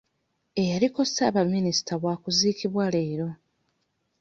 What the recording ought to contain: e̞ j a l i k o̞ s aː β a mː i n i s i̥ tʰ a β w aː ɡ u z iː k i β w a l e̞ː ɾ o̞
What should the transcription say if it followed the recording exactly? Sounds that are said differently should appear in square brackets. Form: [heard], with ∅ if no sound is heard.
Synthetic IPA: e̞ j a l i k o̞ s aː β a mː i n i s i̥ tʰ a β w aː [k] u z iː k i β w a l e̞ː ɾ o̞